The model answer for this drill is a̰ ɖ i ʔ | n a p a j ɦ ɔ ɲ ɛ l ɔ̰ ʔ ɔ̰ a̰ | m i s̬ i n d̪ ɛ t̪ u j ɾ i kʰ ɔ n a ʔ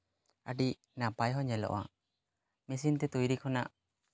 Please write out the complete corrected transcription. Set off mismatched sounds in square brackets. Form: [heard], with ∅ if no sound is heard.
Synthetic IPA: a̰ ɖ i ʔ | n a p a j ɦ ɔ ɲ ɛ l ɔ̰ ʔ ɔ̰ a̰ | m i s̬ i n [t̪] ɛ t̪ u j ɾ i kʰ ɔ n a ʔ